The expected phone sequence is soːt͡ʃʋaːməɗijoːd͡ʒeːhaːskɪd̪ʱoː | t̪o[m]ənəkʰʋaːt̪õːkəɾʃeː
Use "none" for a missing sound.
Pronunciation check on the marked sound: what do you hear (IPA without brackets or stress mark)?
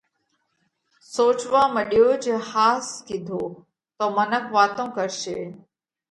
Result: m